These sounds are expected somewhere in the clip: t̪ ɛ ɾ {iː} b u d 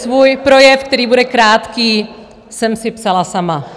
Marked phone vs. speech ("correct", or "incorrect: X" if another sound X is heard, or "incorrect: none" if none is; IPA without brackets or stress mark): correct